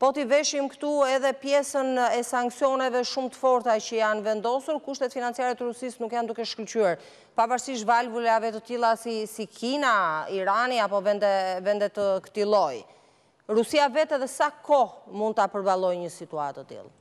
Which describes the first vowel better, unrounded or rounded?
rounded